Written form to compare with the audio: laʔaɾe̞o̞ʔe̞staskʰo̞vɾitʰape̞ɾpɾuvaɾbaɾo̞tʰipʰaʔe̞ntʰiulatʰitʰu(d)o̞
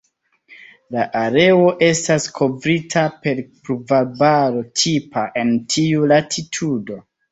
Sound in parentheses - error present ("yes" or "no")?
no